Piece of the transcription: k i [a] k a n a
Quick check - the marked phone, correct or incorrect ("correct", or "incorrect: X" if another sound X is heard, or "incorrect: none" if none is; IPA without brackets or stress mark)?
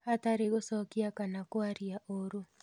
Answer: correct